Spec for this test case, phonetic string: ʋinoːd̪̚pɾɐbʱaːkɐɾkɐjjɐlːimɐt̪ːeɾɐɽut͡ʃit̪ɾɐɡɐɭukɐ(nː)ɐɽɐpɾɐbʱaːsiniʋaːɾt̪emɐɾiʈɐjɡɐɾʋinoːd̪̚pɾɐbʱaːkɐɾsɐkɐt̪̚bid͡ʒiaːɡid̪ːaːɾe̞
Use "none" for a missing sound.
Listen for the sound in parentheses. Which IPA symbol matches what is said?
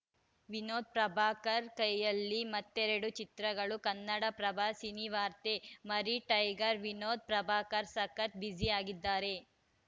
nː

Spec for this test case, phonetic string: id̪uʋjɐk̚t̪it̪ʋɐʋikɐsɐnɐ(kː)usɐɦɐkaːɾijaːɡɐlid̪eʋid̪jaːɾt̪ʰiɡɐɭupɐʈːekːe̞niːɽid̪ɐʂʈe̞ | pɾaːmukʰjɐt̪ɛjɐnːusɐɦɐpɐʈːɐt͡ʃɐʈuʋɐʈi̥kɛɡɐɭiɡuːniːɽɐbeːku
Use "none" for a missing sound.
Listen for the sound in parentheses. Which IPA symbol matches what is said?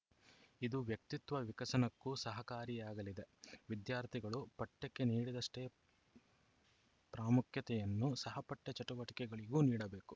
kː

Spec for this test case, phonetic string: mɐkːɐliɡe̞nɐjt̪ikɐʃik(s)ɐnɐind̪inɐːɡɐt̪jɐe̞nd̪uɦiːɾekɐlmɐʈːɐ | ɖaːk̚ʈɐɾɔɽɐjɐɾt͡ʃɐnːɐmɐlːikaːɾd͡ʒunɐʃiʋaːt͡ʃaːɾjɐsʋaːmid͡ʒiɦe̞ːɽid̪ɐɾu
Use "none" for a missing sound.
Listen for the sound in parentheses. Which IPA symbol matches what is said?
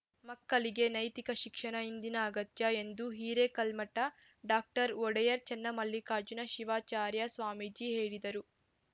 ʂ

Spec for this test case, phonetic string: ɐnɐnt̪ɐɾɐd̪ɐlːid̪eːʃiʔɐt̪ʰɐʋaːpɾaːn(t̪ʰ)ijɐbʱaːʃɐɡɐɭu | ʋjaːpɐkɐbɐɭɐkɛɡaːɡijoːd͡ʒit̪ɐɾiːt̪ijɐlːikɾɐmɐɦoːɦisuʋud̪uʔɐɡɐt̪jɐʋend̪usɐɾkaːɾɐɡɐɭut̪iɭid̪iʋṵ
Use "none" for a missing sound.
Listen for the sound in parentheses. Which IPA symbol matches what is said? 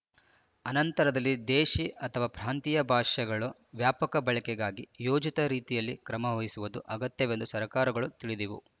t̪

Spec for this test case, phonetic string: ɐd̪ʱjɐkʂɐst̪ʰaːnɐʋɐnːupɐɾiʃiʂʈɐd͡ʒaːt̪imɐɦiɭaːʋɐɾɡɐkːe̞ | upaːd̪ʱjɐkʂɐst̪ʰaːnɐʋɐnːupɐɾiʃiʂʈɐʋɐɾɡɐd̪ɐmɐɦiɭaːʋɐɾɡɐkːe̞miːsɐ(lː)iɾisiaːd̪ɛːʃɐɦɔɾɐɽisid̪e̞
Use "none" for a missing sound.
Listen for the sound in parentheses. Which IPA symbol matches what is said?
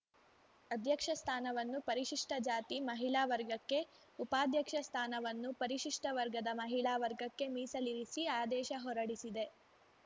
l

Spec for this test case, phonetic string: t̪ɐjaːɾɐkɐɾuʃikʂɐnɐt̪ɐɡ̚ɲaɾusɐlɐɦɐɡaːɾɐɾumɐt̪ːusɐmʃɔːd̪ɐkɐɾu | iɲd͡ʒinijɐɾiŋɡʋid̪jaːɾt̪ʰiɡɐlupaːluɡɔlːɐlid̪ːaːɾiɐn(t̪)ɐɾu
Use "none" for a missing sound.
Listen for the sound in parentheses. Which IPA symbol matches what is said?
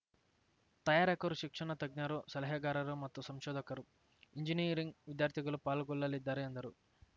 d̪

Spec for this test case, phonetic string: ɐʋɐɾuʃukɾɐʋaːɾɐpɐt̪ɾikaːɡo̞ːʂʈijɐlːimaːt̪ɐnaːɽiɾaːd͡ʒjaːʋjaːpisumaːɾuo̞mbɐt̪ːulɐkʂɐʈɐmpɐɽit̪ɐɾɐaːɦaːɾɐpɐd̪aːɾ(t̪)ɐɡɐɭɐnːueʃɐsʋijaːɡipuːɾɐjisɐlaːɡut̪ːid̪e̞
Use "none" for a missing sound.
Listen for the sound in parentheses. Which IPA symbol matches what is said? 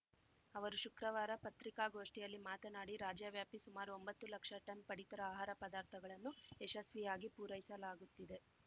t̪ʰ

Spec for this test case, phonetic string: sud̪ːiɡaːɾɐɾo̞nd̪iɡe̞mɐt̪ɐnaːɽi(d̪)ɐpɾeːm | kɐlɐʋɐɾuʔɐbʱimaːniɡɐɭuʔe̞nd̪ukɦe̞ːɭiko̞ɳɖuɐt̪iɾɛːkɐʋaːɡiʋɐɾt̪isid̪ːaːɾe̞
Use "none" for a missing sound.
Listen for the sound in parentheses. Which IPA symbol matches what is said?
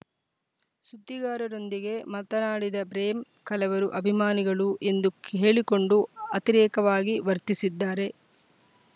d̪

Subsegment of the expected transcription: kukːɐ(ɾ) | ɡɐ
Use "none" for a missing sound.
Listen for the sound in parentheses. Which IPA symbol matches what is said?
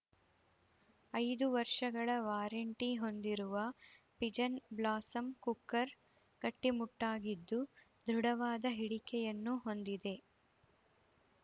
ɾ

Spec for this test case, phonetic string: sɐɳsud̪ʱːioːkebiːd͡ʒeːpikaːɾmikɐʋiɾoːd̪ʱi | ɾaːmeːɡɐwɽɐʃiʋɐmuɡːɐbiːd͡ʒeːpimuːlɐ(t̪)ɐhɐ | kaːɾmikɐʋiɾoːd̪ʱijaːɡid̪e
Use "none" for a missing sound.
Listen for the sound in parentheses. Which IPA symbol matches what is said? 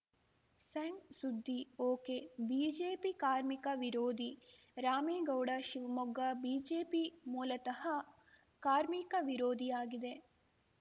t̪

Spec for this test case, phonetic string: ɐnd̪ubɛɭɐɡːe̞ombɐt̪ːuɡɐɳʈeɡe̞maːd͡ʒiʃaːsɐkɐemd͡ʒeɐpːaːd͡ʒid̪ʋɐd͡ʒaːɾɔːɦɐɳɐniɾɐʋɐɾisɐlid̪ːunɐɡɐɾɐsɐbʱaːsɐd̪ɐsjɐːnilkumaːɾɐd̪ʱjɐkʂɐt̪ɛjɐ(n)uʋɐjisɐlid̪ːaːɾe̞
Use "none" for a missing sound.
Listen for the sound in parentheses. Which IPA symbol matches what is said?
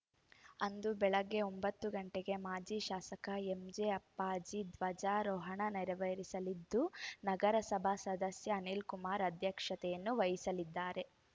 nː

